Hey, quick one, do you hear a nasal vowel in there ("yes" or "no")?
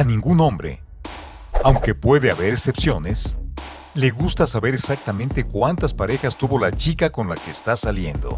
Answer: yes